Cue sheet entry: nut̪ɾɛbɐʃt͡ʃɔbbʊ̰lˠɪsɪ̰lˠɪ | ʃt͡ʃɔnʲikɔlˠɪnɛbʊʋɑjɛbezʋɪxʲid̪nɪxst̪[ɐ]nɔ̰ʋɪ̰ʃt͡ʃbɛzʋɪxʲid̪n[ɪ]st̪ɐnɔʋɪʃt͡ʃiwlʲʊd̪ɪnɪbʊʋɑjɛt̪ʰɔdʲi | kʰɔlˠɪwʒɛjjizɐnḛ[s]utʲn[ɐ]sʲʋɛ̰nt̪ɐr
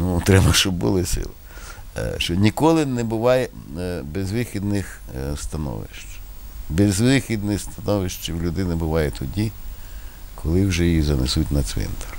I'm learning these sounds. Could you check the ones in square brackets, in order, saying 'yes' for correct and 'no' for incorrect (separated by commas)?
yes, yes, yes, yes